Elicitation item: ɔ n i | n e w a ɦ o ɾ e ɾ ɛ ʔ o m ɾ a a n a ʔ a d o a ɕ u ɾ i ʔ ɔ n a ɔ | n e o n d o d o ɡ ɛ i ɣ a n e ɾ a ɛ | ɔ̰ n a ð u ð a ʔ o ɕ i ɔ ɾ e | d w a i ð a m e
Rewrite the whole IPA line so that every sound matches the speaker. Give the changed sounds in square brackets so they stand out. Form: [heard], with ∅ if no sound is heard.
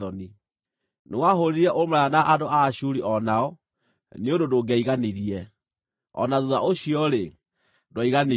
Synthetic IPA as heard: ɔ n i | n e w a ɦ o ɾ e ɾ ɛ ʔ o m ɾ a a n a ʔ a d o a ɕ u ɾ i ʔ ɔ n a ɔ | n e o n d o d o ɡ ɛ i ɣ a n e ɾ [i] ɛ | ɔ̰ n a ð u ð a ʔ o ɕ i ɔ ɾ e | d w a i [ɣ] a [n] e